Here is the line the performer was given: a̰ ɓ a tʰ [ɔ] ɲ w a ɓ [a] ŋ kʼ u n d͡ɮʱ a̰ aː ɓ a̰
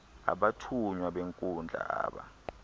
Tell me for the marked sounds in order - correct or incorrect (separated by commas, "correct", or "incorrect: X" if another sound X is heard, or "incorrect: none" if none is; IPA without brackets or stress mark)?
incorrect: u, incorrect: e